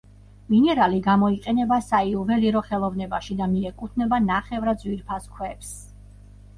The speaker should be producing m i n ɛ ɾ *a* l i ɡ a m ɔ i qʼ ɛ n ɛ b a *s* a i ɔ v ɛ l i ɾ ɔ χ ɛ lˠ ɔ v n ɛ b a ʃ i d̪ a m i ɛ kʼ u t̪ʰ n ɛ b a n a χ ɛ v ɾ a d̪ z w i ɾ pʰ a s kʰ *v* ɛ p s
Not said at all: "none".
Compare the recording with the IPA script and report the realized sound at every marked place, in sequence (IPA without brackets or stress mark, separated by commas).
a, s, w